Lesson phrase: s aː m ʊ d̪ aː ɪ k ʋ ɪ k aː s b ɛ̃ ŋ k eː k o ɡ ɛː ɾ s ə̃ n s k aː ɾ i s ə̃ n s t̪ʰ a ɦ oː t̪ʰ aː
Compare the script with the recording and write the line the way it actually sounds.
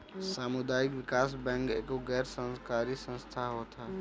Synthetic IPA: s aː m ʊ d̪ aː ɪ k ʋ ɪ k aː s b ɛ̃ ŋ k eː k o ɡ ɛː ɾ s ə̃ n s k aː ɾ i s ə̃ n s t̪ʰ a ɦ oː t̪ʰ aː